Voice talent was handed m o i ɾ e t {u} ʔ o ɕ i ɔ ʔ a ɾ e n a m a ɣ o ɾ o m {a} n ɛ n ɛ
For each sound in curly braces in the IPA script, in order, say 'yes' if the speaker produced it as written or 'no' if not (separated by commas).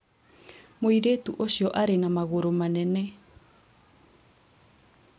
yes, yes